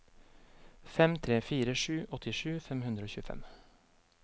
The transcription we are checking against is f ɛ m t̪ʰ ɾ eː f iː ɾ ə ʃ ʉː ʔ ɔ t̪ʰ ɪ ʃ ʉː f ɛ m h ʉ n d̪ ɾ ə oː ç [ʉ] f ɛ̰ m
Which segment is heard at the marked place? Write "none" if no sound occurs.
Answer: ʉː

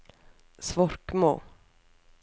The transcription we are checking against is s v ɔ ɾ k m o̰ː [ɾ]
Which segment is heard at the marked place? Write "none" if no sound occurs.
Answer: none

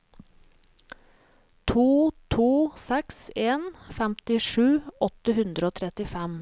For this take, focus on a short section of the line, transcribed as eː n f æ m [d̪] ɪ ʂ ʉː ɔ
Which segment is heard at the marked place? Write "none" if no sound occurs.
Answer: t̪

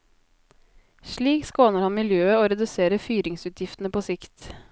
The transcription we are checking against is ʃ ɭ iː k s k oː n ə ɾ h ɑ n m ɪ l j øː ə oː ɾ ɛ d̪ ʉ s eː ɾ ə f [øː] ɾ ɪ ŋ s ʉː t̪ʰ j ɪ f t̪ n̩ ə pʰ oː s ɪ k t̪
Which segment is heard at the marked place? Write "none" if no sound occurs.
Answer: yː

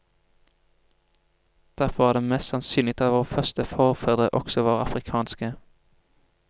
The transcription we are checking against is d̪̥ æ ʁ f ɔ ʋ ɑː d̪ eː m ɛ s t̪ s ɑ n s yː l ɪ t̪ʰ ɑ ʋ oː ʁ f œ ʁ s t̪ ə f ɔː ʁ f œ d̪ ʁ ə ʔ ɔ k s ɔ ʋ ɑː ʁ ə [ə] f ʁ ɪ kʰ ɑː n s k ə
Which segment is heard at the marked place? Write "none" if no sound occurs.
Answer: ɑ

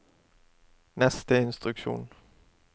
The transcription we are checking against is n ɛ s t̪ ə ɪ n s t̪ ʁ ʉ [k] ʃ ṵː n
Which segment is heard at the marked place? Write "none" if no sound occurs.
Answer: k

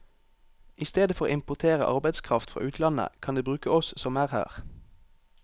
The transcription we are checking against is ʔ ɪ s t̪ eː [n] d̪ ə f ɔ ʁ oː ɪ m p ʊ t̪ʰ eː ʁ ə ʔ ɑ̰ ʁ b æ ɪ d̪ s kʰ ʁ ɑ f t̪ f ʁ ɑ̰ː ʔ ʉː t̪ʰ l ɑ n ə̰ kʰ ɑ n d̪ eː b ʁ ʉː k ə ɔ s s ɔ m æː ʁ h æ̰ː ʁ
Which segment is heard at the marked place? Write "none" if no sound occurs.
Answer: none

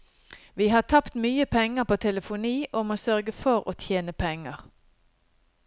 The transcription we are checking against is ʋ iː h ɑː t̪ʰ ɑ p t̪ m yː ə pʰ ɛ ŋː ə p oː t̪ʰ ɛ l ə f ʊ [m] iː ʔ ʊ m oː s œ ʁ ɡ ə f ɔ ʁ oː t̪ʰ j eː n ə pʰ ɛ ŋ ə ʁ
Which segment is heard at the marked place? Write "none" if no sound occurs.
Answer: n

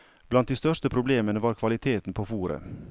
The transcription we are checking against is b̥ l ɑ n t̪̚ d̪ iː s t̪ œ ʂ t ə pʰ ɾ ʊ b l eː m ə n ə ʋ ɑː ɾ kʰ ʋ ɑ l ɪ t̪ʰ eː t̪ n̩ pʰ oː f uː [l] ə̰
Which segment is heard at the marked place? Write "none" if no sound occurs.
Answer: ɾ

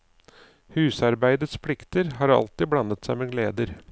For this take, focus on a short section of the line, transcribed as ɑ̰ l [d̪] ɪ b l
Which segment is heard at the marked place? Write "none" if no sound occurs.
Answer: t̪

